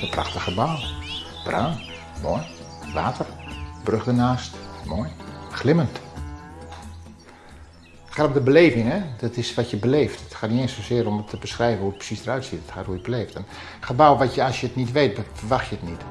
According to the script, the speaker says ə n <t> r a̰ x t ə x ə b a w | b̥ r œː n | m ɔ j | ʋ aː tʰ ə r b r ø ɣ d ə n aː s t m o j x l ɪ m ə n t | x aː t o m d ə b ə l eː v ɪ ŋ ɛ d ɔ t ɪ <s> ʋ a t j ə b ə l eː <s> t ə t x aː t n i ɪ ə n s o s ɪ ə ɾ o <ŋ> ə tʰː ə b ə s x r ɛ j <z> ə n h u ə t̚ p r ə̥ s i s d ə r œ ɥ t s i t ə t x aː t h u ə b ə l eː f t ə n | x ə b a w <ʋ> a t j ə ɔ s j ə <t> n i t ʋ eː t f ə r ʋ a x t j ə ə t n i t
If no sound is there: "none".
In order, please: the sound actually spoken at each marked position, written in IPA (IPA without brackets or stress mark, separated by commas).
p, s, f, m, v, ʋ, t